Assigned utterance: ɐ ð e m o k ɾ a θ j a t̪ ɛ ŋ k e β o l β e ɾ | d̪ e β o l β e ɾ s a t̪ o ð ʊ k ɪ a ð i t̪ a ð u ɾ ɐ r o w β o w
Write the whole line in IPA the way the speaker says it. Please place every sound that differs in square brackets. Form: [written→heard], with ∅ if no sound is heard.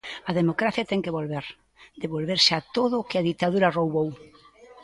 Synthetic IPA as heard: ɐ ð e m o k ɾ a θ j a t̪ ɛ ŋ k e β o l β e ɾ | d̪ e β o l β e ɾ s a t̪ o ð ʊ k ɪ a ð i t̪ a ð u ɾ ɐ r o w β o w